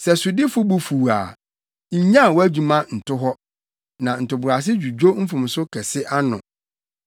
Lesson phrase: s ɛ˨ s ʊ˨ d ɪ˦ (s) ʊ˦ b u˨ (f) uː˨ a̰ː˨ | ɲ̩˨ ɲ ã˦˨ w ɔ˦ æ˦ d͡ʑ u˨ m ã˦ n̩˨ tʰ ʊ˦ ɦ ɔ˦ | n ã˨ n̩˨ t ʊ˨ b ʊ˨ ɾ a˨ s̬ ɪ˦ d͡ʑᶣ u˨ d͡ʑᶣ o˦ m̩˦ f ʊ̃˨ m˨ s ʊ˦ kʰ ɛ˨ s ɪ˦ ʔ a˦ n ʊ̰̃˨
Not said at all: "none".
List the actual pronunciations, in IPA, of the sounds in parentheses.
f, f

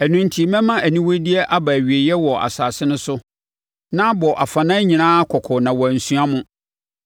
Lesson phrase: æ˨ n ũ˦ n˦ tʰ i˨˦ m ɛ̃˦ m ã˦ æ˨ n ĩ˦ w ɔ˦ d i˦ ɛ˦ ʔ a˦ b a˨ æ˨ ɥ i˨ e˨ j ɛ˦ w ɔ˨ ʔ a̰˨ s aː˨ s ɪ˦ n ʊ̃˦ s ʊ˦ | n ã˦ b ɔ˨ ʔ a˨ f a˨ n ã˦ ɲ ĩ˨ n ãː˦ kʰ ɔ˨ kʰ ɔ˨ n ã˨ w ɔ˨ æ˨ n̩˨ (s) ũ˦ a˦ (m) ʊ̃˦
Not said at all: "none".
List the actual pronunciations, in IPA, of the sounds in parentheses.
s, m

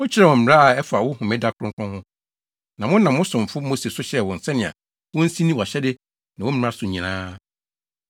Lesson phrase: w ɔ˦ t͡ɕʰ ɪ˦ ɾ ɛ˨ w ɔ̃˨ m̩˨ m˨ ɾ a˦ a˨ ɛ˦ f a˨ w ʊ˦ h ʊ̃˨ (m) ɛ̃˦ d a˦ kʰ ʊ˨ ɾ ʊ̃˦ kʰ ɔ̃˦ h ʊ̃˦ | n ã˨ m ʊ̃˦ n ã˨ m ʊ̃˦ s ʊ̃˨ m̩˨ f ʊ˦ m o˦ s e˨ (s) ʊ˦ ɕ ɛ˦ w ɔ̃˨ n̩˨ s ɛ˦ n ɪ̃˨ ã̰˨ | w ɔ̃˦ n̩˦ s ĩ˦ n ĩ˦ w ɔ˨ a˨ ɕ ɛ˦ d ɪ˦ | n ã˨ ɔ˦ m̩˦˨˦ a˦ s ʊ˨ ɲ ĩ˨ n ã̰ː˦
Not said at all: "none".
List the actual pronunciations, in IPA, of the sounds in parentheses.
m, s

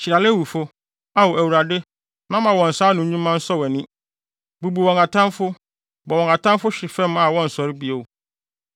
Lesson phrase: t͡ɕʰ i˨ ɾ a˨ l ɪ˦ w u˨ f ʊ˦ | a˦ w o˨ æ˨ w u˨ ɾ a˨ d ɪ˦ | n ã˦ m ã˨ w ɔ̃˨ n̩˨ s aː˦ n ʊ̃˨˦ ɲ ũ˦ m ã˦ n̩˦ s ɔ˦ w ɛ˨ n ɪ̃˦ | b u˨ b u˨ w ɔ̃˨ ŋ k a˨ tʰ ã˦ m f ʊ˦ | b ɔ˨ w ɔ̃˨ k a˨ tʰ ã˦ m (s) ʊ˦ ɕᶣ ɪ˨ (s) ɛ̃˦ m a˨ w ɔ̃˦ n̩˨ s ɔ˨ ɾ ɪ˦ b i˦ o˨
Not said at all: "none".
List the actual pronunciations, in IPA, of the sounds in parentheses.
f, f

